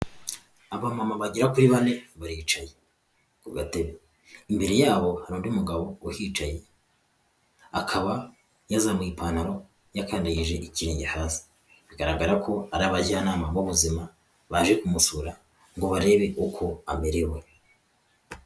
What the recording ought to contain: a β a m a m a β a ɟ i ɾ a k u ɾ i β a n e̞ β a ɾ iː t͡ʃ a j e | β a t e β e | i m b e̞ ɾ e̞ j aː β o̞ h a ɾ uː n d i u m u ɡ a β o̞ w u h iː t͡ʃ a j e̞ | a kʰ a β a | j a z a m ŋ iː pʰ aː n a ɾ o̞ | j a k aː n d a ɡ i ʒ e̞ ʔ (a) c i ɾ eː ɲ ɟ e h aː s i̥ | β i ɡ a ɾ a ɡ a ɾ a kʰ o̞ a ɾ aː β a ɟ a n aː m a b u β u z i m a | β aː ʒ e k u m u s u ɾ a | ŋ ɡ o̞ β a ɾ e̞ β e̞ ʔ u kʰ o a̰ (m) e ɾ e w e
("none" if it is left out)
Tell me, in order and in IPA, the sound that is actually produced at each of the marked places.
i, m

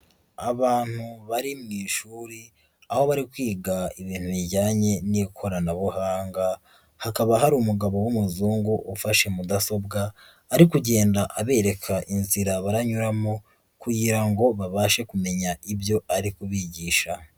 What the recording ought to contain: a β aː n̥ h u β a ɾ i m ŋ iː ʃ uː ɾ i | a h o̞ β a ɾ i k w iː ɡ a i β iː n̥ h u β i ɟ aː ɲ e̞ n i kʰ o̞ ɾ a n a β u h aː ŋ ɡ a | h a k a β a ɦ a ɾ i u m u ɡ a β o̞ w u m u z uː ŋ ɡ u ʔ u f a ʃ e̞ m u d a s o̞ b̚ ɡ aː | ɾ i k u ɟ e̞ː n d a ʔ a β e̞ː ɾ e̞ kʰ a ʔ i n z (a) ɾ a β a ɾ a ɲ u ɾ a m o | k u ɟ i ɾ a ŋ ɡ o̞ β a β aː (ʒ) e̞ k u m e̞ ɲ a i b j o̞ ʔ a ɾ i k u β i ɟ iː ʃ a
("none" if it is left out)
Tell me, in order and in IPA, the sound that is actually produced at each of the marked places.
i, ʃ

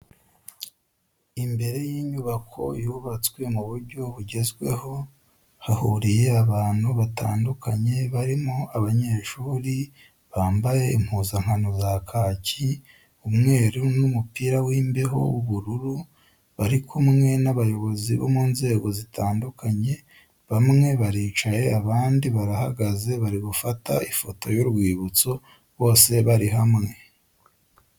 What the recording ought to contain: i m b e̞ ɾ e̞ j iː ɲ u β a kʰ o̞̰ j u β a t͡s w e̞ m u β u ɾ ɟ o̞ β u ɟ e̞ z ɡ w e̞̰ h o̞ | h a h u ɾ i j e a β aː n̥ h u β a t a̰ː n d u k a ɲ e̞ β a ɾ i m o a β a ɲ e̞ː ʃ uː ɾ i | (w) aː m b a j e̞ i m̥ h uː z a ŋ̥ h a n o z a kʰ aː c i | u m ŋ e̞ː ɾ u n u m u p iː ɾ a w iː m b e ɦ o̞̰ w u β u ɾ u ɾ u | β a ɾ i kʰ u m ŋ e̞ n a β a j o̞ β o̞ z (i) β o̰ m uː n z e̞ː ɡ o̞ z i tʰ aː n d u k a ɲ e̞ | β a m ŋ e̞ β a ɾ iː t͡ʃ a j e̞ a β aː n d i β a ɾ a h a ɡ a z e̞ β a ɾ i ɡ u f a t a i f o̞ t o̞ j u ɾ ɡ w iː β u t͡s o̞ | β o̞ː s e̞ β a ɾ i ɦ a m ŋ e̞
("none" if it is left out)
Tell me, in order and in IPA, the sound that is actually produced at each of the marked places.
β, i

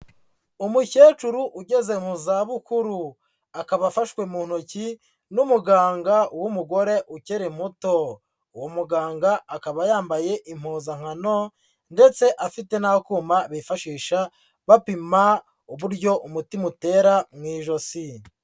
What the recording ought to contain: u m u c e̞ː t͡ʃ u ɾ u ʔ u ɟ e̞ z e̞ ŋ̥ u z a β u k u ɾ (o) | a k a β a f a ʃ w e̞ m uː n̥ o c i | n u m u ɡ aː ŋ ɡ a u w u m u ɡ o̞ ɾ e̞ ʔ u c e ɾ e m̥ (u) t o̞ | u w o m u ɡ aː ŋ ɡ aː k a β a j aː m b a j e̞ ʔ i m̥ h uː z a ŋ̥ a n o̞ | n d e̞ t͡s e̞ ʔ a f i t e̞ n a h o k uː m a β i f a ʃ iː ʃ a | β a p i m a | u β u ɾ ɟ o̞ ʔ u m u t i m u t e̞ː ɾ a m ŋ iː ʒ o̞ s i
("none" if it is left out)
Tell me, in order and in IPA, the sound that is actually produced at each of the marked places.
u, u

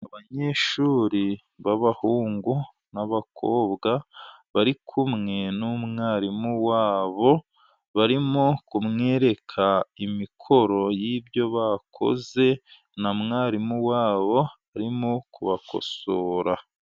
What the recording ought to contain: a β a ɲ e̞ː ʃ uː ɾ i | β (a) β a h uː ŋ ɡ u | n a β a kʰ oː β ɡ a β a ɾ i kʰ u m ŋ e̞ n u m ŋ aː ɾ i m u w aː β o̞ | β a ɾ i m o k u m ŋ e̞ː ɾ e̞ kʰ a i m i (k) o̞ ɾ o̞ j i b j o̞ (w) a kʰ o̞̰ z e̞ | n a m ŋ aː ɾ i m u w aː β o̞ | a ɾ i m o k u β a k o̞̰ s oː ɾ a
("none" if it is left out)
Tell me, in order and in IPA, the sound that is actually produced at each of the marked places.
a, kʰ, β

